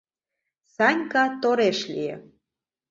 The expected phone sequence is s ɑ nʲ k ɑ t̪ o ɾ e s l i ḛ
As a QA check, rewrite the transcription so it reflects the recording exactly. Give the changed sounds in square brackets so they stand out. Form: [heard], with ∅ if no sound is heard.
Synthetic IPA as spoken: s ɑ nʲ k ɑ t̪ o ɾ e [ʃ] l i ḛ